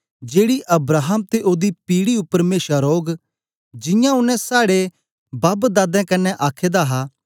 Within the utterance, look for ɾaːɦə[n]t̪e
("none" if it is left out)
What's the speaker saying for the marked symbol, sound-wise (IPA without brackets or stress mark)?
m